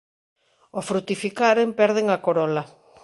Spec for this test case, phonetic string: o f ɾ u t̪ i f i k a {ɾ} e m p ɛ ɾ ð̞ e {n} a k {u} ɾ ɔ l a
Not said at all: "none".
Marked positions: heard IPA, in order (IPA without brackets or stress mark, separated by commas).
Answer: ɾ, ŋ, o